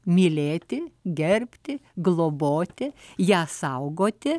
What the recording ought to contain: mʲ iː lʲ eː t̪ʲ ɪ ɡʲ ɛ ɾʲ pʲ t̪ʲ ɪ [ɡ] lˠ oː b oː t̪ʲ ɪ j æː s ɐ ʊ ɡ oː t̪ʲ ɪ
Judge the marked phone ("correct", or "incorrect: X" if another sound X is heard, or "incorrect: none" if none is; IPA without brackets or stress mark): correct